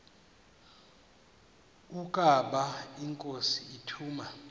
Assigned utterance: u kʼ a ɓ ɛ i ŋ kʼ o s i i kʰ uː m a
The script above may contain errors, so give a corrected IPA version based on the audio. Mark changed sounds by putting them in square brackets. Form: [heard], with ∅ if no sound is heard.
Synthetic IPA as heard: u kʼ a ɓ [a] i ŋ kʼ o s i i [tʰ] uː m a